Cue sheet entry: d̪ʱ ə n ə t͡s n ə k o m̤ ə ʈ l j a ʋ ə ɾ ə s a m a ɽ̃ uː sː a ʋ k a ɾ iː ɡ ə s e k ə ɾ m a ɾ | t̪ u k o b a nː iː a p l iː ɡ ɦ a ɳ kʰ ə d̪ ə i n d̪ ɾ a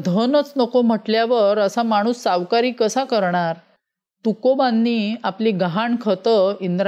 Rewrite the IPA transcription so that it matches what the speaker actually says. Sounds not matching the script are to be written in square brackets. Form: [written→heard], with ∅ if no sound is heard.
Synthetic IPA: d̪ʱ ə n ə t͡s n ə k o m̤ ə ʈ l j a ʋ ə ɾ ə s a m a ɽ̃ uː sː a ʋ k a ɾ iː [ɡ→k] ə s [e→a] k ə ɾ [m→ɳ] a ɾ | t̪ u k o b a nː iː a p l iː ɡ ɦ a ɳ kʰ ə [d̪→t̪] ə i n d̪ ɾ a